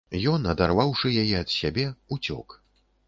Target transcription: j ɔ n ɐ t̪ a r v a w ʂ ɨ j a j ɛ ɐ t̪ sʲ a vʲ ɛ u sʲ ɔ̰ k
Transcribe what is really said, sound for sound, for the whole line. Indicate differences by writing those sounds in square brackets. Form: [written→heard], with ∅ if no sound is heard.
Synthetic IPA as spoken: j ɔ n ɐ [t̪→d̪] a r v a w ʂ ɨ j a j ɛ ɐ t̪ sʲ a [vʲ→bʲ] ɛ u [sʲ→t͡sʲ] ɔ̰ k